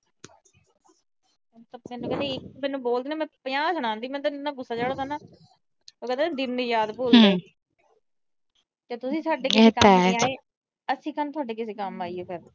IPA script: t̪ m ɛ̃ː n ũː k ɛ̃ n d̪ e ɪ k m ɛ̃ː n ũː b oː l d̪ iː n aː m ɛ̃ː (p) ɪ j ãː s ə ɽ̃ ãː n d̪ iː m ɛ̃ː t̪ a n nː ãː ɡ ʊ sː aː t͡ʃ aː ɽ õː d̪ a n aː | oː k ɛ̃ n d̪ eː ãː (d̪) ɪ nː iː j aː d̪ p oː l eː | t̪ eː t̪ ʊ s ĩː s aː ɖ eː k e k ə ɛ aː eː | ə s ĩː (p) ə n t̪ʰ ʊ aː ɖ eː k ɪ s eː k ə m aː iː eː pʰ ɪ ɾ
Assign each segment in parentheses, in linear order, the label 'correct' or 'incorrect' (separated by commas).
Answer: correct, correct, incorrect